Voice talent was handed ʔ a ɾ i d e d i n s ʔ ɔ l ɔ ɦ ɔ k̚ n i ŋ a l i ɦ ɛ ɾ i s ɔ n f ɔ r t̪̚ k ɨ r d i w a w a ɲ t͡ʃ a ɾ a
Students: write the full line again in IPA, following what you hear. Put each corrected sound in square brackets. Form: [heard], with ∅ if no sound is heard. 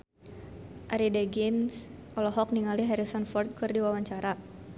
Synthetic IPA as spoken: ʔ a ɾ i d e [ɡ] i n s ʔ ɔ l ɔ ɦ ɔ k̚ n i ŋ a l i ɦ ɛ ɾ i s ɔ n f ɔ r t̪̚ k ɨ r d i w a w a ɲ t͡ʃ a ɾ a